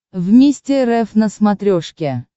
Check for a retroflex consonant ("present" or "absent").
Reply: present